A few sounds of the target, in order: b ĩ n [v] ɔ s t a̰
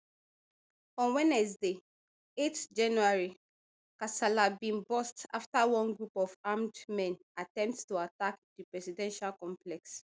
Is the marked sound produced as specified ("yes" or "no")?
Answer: no